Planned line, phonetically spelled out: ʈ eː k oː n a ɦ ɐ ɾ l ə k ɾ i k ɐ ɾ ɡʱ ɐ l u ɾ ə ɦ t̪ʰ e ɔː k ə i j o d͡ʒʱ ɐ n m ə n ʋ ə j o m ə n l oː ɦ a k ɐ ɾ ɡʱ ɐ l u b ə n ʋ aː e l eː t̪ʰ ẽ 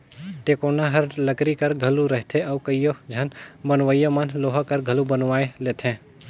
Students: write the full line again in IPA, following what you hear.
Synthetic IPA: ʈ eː k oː n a ɦ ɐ ɾ l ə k ɾ i k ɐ ɾ ɡʱ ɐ l u ɾ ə ɦ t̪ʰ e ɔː k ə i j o d͡ʒʱ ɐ n b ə n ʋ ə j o m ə n l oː ɦ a k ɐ ɾ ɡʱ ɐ l u b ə n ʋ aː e l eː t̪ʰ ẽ

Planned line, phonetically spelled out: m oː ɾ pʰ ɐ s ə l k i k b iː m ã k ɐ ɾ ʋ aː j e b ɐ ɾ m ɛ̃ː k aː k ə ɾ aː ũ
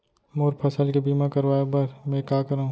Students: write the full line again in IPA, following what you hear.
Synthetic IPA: m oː ɾ pʰ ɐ s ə l k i b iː m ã k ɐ ɾ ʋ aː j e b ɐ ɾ m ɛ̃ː k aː k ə ɾ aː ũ

